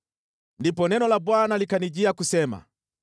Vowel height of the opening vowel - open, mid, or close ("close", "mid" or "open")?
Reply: close